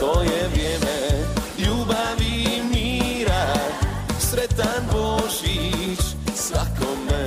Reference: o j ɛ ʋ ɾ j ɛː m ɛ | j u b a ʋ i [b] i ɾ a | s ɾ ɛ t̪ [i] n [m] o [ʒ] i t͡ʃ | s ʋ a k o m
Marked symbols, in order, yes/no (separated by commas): no, no, no, yes